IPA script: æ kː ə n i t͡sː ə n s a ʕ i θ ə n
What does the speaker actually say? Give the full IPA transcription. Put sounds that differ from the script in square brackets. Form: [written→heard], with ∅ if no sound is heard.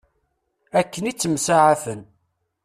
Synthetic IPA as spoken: æ kː ə n i t͡sː ə [n→m] s a ʕ [i→a] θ ə n